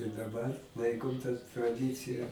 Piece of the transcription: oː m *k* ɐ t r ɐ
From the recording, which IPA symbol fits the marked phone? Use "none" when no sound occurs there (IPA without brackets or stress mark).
t